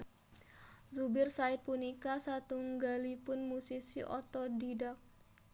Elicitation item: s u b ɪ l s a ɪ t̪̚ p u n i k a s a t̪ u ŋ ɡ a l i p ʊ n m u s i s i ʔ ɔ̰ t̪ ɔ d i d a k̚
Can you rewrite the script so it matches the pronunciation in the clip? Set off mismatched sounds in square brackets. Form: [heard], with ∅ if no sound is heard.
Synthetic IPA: [z] u b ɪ [r] s a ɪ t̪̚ p u n i k a s a t̪ u ŋ ɡ a l i p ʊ n m u s i s i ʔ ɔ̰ t̪ ɔ d i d a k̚